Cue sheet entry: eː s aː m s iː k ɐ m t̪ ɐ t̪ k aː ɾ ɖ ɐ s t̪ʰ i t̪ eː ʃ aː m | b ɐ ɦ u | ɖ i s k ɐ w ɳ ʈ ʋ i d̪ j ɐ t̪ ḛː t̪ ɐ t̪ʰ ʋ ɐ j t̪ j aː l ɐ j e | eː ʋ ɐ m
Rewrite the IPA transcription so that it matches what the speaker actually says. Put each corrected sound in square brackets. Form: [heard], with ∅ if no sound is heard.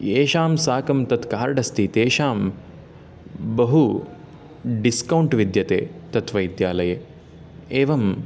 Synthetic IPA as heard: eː [ʃ] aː m s [aː] k ɐ m t̪ ɐ t̪ k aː ɾ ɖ ɐ s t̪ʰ i t̪ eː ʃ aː m | b ɐ ɦ u | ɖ i s k ɐ w ɳ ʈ ʋ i d̪ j ɐ t̪ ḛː t̪ ɐ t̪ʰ ʋ ɐ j [d̪] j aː l ɐ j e | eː ʋ ɐ m